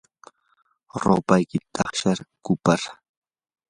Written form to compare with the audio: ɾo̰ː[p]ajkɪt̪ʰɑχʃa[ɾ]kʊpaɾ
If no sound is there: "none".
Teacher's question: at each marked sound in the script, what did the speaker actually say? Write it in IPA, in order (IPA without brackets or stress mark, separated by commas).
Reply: p, ɾ